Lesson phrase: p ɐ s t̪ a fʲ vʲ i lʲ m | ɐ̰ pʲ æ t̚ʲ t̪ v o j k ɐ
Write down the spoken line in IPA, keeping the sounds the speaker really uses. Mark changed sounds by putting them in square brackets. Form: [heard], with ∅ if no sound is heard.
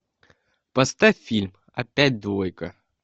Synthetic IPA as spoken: p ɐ s t̪ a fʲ [fʲ] i lʲ m | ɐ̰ pʲ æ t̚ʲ [d̪] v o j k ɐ